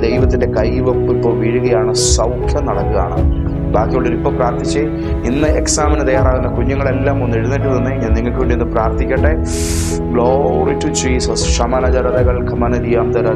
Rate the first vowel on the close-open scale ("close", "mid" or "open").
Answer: mid